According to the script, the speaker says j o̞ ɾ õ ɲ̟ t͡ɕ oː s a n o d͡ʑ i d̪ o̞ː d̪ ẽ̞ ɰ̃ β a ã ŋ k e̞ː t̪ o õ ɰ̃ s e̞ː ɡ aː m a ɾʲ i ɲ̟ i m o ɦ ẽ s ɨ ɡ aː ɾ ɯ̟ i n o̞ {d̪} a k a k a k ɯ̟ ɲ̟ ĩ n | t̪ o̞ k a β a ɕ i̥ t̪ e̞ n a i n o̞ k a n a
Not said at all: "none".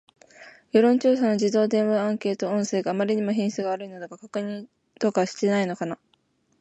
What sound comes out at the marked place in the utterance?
d̪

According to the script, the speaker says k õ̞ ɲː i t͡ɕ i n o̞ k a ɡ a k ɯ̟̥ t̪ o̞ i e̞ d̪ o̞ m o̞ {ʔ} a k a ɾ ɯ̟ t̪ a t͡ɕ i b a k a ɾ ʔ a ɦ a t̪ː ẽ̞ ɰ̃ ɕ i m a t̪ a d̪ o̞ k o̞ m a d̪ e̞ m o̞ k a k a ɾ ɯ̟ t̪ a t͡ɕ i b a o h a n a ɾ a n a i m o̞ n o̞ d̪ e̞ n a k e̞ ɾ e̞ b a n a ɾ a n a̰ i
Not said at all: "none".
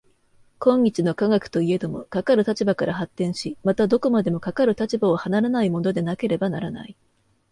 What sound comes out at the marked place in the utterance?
k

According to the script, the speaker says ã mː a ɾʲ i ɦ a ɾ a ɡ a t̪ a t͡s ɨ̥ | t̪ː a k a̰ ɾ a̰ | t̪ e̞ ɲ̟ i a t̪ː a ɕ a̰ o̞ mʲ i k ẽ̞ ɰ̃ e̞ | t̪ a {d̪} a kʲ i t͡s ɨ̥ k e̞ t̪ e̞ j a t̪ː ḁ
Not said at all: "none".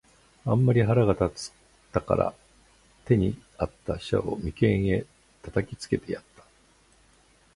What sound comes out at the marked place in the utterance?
t̪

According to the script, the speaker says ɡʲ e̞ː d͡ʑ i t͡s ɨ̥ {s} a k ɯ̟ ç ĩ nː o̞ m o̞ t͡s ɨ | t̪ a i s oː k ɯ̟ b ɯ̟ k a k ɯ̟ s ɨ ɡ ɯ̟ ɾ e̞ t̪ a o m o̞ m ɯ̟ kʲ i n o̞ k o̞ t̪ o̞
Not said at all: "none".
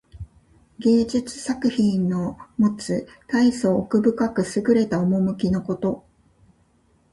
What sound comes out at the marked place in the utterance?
s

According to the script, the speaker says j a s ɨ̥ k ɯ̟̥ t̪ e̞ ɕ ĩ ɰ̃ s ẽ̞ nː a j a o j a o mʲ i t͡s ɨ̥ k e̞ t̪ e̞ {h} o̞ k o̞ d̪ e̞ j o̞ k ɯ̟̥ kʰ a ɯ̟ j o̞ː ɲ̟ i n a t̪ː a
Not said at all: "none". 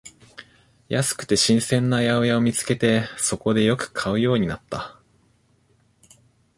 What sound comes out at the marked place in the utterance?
s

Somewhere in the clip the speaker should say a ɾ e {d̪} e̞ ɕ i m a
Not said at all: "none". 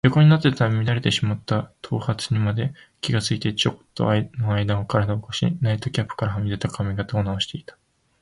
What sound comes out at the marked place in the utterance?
t̪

